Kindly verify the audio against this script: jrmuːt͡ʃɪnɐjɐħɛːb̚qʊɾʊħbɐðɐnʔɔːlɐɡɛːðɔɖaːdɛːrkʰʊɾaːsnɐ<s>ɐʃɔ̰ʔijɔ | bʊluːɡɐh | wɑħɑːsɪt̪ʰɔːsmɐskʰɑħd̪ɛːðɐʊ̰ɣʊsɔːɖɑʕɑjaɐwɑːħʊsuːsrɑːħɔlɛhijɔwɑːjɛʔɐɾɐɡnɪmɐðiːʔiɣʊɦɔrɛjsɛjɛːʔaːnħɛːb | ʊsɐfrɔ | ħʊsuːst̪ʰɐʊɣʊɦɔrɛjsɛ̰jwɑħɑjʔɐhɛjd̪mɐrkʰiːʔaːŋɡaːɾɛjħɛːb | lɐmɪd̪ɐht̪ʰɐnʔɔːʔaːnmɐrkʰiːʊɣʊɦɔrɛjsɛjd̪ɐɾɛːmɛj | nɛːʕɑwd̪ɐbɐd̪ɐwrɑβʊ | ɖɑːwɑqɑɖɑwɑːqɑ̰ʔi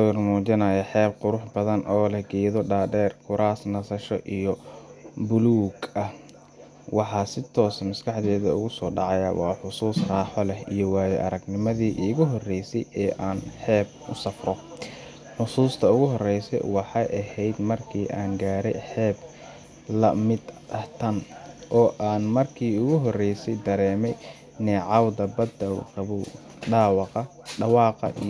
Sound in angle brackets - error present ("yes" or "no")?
no